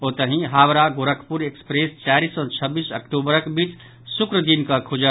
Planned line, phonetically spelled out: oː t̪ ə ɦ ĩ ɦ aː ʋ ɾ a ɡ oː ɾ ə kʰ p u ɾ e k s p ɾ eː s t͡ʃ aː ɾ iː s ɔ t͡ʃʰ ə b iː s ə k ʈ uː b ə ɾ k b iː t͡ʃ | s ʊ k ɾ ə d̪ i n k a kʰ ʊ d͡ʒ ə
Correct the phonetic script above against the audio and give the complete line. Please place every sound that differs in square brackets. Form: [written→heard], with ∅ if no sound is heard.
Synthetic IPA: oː t̪ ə ɦ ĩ ɦ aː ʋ ɾ a ɡ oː ɾ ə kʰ p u ɾ e k s p ɾ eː s t͡ʃ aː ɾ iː s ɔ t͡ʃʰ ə b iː s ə k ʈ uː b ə ɾ k b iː t͡ʃ | s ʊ k ɾ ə d̪ i n k a kʰ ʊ d͡ʒ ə